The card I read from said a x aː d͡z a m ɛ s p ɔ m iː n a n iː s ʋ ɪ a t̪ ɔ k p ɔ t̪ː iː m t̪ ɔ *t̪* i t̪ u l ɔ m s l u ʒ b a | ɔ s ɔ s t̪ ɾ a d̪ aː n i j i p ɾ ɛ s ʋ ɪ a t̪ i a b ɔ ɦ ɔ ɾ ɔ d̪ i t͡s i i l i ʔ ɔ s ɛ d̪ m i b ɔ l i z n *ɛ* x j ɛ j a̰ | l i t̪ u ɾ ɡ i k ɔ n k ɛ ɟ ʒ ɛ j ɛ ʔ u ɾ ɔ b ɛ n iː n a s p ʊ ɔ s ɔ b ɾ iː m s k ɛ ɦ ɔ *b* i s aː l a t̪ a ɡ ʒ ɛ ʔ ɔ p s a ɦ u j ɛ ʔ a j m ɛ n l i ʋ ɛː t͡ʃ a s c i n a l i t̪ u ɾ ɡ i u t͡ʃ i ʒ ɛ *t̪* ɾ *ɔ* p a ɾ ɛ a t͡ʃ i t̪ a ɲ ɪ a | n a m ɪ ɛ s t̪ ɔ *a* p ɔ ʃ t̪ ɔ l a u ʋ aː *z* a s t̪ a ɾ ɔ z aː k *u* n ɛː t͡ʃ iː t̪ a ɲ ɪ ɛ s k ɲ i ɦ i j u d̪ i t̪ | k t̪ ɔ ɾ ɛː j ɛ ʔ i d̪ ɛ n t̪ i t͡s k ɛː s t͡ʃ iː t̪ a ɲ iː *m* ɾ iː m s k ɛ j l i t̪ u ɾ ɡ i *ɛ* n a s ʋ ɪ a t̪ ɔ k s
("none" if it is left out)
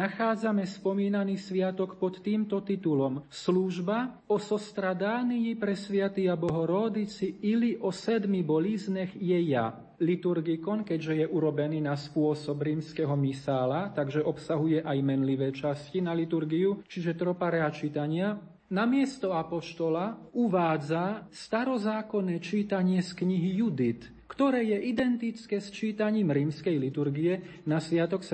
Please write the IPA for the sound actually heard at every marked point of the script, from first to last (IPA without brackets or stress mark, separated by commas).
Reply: t̪, ɛ, m, t̪, ɔ, a, d͡z, ɔ, m, ɛ